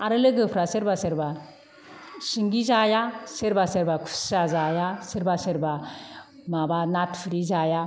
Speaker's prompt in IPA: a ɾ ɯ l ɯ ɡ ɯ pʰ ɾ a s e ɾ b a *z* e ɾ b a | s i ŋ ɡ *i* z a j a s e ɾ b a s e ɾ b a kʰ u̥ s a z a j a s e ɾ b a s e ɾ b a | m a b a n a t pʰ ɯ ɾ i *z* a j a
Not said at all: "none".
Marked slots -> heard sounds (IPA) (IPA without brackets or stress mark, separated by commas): s, i, z